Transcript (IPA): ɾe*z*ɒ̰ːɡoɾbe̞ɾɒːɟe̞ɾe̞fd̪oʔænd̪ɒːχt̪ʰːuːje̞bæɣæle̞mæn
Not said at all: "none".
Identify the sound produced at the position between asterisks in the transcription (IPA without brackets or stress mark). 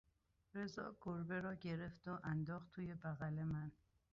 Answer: z